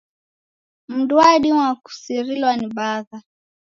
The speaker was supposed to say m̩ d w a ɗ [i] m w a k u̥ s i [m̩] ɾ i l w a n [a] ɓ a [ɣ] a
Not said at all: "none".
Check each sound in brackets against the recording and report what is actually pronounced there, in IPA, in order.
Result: i, none, i, ð

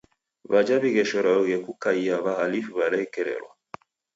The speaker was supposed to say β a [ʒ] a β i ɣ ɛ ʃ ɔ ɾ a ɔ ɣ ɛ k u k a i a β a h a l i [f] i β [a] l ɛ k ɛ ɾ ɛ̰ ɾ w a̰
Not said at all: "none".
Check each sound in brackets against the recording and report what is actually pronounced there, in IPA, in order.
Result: d͡ʒ, f, a

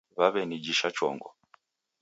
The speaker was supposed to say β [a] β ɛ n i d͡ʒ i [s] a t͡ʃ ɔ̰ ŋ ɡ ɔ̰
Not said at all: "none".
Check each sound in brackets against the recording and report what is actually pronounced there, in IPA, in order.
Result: a, ʃ

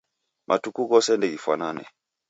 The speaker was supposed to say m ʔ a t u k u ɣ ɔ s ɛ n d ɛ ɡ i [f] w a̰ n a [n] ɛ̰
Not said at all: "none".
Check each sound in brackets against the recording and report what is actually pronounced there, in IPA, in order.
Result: f, n

